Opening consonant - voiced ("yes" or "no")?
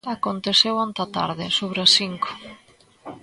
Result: no